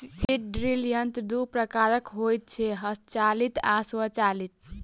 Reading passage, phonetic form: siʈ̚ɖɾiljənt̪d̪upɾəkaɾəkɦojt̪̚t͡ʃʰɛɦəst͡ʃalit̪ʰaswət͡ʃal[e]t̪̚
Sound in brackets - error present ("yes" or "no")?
yes